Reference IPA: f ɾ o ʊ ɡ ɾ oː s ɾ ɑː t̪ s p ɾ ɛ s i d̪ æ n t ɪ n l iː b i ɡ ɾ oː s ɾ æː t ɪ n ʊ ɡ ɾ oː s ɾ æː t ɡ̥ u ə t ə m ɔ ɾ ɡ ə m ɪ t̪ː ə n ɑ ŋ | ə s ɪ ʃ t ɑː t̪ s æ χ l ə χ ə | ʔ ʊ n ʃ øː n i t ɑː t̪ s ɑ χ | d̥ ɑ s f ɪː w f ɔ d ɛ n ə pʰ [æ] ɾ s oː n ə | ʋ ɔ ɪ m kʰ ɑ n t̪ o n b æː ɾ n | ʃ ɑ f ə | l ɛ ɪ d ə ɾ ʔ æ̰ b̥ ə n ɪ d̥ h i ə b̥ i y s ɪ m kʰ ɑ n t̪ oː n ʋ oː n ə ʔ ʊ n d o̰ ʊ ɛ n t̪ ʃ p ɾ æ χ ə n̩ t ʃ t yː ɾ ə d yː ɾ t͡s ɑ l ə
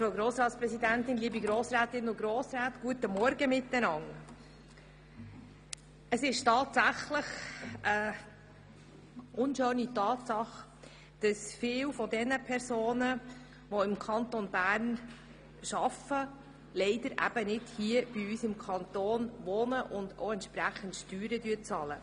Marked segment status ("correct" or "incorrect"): incorrect